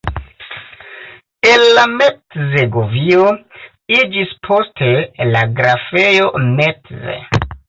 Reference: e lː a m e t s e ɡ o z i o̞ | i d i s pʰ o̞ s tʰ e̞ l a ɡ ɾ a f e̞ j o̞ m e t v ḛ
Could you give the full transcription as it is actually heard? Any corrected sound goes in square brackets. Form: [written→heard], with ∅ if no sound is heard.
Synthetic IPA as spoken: e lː a m e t [s→z] e ɡ o [z→v] i o̞ | i [d→d͡ʒ] i s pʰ o̞ s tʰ e̞ l a ɡ ɾ a f e̞ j o̞ m e t [v→z] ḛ